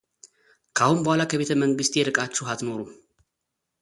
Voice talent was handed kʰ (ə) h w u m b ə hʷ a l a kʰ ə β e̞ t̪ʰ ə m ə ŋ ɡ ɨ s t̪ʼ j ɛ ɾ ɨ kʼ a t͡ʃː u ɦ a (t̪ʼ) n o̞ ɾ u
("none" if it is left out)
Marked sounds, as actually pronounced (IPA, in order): a, t̪

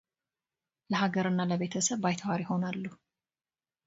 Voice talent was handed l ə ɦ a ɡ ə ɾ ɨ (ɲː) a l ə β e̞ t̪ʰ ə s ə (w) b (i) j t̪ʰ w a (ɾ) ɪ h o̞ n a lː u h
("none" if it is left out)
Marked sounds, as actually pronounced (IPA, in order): nː, β, a, ɾ

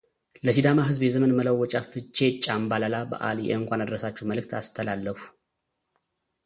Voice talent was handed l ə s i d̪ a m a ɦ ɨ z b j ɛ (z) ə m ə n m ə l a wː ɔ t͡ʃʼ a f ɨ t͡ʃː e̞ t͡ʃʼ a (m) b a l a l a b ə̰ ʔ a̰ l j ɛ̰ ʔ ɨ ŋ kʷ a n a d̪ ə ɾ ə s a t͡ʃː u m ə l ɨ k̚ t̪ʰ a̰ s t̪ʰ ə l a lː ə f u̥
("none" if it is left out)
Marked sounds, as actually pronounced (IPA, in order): z, m

